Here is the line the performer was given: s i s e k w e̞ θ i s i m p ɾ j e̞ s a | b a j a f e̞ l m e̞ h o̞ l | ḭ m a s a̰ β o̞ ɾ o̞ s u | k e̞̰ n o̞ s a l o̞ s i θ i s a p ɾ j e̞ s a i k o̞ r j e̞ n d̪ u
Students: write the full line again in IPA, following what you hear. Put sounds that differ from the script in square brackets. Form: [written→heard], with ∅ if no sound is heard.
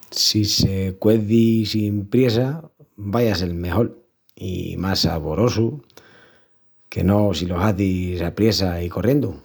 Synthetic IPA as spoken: s i s e k w e̞ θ i s i m p ɾ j e̞ s a | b a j a [f→s] e̞ l m e̞ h o̞ l | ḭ m a s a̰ β o̞ ɾ o̞ s u | k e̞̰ n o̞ s [a→i] l o̞ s [i→a] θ i s a p ɾ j e̞ s a i k o̞ r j e̞ n d̪ u